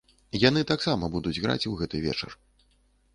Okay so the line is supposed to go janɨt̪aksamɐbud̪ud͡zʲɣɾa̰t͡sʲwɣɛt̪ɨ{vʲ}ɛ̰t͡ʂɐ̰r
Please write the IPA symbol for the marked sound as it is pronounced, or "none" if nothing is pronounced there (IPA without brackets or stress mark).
vʲ